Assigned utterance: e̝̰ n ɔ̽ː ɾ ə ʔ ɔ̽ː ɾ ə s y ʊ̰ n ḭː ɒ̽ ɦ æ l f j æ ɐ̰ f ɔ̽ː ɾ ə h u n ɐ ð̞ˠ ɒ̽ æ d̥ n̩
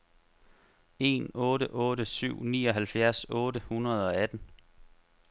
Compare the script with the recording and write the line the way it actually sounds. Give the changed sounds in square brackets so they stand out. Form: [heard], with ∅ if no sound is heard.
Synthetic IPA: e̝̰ n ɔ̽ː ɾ ə ʔ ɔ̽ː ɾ ə s y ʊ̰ n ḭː ɒ̽ ɦ æ l f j æ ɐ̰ [s] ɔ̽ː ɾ ə h u n ɐ ð̞ˠ ɒ̽ æ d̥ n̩